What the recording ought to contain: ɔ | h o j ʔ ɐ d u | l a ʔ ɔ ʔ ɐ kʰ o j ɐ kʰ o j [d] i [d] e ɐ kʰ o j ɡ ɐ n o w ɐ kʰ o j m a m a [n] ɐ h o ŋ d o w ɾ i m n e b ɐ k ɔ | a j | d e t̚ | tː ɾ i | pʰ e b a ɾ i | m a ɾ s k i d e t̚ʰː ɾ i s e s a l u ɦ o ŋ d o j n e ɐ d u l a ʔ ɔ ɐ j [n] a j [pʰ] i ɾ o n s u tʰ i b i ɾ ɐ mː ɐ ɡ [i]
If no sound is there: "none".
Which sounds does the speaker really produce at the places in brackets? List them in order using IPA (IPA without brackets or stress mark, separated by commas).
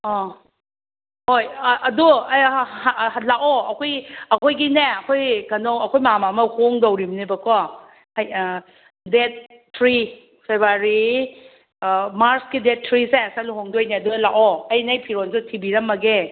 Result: ɡ, n, m, n, pʰ, e